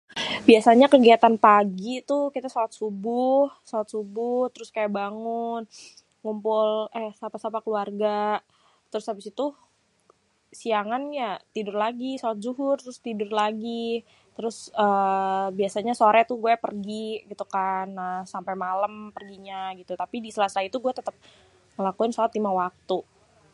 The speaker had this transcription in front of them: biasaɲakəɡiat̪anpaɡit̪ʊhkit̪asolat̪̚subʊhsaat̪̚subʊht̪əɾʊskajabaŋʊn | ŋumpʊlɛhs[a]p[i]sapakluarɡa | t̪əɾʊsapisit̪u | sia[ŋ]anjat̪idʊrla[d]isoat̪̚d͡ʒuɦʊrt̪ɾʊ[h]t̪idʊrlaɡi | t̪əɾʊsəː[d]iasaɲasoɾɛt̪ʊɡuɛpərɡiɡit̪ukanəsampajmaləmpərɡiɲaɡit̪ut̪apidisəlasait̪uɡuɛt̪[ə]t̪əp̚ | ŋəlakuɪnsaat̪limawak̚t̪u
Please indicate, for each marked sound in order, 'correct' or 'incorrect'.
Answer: correct, incorrect, correct, incorrect, incorrect, incorrect, correct

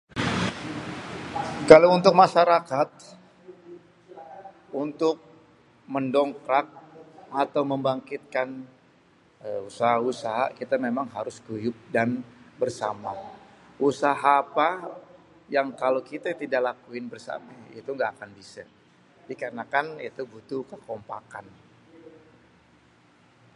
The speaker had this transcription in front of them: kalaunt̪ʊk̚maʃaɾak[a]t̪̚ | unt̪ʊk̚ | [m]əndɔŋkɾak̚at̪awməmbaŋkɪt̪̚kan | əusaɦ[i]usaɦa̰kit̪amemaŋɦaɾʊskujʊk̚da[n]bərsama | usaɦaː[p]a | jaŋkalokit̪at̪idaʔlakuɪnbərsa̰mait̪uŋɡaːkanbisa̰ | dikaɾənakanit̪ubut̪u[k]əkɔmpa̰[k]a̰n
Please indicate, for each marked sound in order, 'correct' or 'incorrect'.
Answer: correct, correct, incorrect, correct, correct, correct, correct

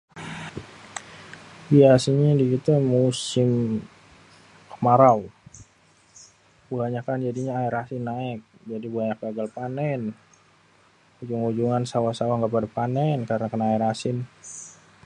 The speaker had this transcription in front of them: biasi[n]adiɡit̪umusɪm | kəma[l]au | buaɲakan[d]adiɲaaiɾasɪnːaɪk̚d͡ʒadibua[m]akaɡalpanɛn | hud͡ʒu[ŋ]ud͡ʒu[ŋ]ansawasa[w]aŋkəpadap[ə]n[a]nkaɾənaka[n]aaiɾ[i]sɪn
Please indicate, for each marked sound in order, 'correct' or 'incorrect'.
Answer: incorrect, incorrect, incorrect, incorrect, correct, correct, correct, incorrect, incorrect, correct, incorrect

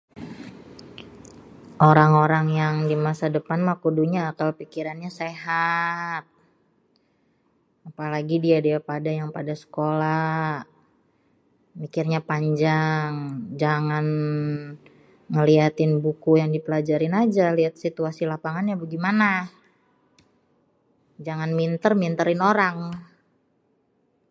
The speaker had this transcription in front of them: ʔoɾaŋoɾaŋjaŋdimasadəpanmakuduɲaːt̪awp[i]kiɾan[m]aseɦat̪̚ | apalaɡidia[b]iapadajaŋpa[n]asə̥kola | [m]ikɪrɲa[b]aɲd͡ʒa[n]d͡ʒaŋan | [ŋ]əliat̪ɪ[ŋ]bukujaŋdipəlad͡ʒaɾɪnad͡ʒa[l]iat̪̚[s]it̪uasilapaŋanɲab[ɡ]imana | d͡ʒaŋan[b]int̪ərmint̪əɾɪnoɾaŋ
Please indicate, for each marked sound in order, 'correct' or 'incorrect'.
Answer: correct, incorrect, incorrect, incorrect, correct, incorrect, incorrect, correct, incorrect, correct, correct, correct, incorrect

